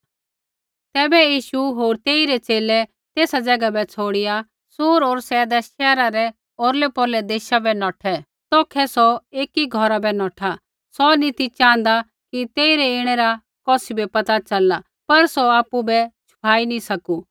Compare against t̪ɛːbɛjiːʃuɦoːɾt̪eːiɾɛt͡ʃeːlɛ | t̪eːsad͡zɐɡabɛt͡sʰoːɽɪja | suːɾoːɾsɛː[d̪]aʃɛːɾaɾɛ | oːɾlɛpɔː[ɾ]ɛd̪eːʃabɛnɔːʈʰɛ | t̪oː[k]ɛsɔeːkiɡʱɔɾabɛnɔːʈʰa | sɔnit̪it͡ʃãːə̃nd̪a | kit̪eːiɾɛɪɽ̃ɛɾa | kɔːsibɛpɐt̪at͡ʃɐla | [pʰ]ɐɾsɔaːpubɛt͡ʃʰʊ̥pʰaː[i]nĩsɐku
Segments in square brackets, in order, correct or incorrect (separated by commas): correct, incorrect, incorrect, incorrect, correct